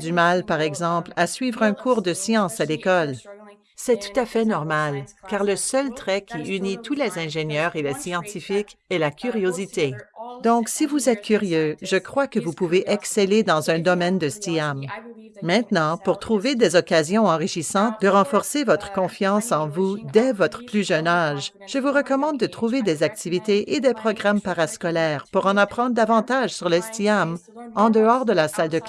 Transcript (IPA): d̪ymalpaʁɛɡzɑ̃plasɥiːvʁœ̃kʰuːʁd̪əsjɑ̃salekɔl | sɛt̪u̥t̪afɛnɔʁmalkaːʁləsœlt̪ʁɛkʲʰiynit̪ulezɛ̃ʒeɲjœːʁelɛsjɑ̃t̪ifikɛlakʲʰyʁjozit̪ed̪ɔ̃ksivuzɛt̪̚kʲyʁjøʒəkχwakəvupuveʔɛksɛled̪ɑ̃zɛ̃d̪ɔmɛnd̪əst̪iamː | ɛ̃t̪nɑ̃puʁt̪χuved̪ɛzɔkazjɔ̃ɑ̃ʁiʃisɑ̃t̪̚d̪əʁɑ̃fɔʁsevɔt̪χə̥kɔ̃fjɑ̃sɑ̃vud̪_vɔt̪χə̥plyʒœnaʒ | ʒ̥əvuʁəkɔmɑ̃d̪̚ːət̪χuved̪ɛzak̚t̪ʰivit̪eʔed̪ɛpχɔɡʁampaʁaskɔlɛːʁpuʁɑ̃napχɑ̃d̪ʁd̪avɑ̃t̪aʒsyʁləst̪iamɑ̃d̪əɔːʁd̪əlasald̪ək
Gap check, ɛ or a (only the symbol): ɛ